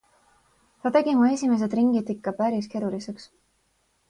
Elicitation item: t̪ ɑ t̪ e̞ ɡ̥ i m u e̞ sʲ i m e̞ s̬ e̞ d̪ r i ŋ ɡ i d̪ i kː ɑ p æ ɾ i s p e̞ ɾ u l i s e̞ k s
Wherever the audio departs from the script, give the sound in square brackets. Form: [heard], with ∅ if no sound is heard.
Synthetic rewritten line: t̪ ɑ t̪ e̞ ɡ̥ i m u e̞ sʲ i m e̞ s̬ e̞ d̪ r i ŋ ɡ i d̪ i kː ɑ p æ ɾ i s [k] e̞ ɾ u l i s e̞ k s